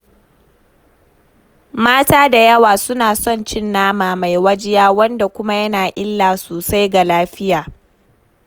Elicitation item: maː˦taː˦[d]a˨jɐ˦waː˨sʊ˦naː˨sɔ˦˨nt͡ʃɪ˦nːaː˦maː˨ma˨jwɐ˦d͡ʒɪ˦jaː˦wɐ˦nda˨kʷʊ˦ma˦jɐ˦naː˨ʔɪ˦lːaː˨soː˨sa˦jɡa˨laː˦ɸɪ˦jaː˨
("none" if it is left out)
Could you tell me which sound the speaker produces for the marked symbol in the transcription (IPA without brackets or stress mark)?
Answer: d